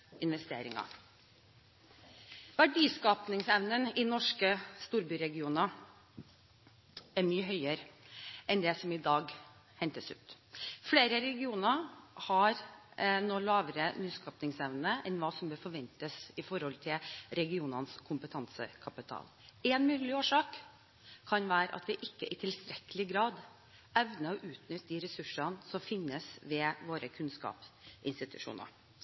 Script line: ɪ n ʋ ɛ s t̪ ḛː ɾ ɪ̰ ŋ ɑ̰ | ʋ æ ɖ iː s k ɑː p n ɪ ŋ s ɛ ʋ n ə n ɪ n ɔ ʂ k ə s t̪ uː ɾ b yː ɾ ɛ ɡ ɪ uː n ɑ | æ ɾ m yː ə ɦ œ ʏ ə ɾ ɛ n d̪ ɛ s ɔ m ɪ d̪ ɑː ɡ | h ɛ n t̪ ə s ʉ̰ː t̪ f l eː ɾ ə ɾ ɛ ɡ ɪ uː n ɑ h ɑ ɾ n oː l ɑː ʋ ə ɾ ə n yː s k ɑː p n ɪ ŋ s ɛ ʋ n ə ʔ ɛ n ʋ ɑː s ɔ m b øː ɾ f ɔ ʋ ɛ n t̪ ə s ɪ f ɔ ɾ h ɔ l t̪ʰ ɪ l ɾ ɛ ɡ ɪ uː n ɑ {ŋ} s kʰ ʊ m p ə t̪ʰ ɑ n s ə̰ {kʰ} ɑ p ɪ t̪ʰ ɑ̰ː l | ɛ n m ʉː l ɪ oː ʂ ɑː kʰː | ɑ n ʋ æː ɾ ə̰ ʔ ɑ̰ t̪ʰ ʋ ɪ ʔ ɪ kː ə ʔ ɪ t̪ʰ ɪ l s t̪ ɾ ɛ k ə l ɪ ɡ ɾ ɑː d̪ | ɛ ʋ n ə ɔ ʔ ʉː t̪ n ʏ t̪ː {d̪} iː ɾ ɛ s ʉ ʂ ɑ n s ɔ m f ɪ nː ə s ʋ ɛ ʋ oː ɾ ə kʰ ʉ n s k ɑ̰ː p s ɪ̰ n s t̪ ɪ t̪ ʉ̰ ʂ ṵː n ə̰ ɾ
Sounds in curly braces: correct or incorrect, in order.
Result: incorrect, correct, correct

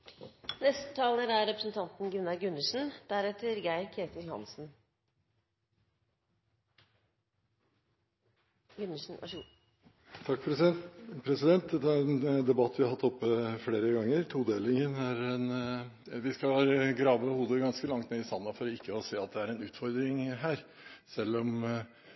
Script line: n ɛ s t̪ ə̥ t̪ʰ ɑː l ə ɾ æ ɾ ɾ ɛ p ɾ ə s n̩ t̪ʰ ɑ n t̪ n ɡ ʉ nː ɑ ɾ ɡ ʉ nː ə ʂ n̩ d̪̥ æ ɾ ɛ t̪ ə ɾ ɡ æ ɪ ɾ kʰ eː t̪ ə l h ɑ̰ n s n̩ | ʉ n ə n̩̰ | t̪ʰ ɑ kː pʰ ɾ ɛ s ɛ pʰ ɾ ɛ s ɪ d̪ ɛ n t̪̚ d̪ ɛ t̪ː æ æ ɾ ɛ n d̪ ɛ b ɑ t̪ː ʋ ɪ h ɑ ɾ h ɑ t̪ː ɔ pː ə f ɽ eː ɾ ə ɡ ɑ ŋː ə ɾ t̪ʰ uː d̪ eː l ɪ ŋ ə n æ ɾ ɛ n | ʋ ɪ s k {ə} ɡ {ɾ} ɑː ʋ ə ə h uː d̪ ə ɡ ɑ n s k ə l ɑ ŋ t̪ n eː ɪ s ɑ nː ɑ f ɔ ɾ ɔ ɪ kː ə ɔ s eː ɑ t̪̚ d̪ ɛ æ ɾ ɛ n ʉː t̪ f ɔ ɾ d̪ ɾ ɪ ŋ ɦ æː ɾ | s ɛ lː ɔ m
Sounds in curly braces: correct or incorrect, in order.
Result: incorrect, correct

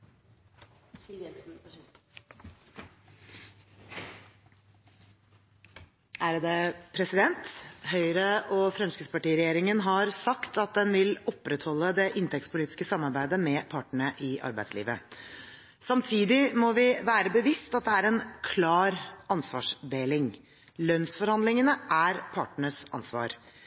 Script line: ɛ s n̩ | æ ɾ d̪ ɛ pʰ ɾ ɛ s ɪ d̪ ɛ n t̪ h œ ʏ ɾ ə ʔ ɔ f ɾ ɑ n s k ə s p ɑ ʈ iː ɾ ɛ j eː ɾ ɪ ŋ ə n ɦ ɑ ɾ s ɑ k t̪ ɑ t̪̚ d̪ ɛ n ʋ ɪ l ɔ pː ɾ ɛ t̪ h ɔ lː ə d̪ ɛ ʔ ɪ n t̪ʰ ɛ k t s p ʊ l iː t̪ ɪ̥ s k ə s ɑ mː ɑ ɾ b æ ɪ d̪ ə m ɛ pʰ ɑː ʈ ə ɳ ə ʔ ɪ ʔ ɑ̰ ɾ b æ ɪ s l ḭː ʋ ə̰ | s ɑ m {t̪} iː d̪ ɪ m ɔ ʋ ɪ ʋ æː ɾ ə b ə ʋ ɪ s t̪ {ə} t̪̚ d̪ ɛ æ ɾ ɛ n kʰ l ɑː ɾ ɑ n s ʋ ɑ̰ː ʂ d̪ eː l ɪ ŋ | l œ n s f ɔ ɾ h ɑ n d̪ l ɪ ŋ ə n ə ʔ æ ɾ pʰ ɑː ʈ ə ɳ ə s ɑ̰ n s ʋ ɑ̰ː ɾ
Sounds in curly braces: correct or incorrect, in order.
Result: incorrect, incorrect

